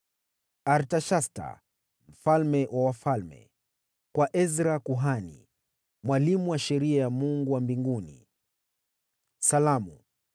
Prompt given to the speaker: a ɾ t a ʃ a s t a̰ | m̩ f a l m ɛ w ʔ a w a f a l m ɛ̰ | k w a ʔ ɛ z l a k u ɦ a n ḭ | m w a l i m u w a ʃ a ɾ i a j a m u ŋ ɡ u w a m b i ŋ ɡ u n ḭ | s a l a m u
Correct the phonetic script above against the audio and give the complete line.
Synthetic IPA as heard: a ɾ t a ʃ a s t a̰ | m̩ f a l m ɛ w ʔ a w a f a l m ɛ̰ | k w a ʔ ɛ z ɾ a k u ɦ a n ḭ | m w a l i m u w a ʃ ɛ ɾ i a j a m u ŋ ɡ u w a m b i ŋ ɡ u n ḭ | s a l a m u

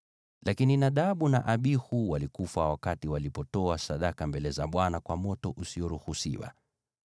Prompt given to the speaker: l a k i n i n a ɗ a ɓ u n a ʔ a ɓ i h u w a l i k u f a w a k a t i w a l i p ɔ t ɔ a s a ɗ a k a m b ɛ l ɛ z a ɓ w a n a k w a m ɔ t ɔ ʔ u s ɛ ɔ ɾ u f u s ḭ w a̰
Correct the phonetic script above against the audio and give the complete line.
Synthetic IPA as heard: l a k i n i n a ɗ a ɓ u n a ʔ a ɓ i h u w a l i k u f a w a k a t i w a l i p ɔ t ɔ a s a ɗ a k a m b ɛ l ɛ z a ɓ w a n a k w a m ɔ t ɔ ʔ u s i ɔ ɾ u h u s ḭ w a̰

